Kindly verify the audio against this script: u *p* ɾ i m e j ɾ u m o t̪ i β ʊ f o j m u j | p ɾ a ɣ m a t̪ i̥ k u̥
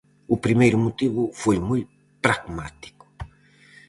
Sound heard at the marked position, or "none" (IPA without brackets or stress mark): p